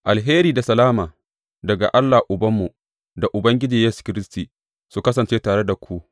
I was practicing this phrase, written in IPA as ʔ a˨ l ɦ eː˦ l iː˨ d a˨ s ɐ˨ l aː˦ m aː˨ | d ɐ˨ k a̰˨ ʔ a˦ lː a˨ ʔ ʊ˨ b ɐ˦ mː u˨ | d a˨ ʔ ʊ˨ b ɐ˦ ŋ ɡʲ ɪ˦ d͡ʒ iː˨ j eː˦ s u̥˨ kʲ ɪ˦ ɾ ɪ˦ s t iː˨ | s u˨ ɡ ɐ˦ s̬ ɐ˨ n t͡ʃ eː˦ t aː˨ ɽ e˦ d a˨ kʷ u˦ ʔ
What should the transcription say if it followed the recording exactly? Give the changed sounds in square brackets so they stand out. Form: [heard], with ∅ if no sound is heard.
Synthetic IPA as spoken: ʔ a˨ l ɦ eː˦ [ɾ] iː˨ d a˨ s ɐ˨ l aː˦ m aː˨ | d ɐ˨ [ɡ] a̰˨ ʔ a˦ lː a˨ ʔ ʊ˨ b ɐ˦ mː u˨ | d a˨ ʔ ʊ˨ b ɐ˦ ŋ ɡʲ ɪ˦ d͡ʒ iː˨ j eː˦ s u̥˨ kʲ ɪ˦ ɾ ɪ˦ s t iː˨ | s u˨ [k] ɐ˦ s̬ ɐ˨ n t͡ʃ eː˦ t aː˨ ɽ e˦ d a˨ kʷ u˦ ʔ